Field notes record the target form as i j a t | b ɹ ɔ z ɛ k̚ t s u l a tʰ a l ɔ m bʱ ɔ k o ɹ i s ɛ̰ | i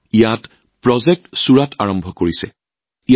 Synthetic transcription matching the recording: i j a t | p ɹ ɔ z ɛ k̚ t s u ɹ a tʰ a ɹ ɔ m bʱ ɔ k o ɹ i s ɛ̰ | i

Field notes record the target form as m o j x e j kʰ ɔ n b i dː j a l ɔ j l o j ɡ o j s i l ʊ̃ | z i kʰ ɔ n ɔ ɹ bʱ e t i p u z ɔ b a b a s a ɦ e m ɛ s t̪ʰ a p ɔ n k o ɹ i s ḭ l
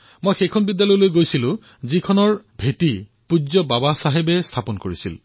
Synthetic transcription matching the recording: m o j x e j kʰ ɔ n b i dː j a l ɔ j l o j ɡ o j s i l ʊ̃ | z i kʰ ɔ n ɔ ɹ bʱ e t i p u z ɔ b a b a s a ɦ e b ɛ s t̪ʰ a p ɔ n k o ɹ i s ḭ l

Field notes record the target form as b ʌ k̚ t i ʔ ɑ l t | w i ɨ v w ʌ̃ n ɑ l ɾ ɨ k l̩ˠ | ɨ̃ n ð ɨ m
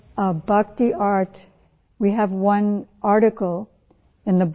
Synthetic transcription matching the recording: b ʌ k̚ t i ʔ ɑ ɹ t | w i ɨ v w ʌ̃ n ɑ ɹ ɾ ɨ k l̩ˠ | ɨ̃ n ð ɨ b

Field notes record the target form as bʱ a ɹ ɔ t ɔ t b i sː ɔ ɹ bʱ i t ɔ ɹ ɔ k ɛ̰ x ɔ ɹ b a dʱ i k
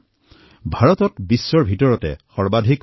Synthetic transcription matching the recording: bʱ a ɹ ɔ t ɔ t b i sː ɔ ɹ bʱ i t ɔ ɹ ɔ t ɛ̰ x ɔ ɹ b a dʱ i k

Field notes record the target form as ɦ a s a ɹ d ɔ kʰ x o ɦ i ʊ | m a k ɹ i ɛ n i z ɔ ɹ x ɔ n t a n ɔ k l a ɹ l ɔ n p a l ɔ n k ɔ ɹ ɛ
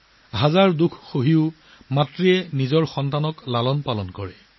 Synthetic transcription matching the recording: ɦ a z a ɹ d u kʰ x o ɦ i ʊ | m a t ɹ i ɛ n i z ɔ ɹ x ɔ n t a n ɔ k l a l ɔ n p a l ɔ n k ɔ ɹ ɛ

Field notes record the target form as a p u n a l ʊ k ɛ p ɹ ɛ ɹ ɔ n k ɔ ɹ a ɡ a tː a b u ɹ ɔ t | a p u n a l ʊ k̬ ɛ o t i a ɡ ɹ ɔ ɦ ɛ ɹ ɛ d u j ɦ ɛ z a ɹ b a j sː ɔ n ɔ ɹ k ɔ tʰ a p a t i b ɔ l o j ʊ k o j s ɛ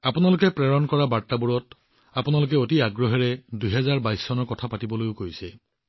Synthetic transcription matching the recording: a p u n a l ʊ k ɛ p ɹ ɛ ɹ ɔ n k ɔ ɹ a b a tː a b u ɹ ɔ t | a p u n a l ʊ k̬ ɛ o t i a ɡ ɹ ɔ ɦ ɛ ɹ ɛ d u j ɦ ɛ z a ɹ b a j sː ɔ n ɔ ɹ k ɔ tʰ a p a t i b ɔ l o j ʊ k o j s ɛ

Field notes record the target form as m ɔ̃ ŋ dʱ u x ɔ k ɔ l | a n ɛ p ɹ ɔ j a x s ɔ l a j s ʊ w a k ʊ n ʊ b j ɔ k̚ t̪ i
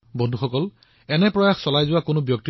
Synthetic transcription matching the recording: b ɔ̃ n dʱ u x ɔ k ɔ l | ɛ n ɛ p ɹ ɔ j a x s ɔ l a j z ʊ w a k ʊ n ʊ b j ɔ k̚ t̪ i

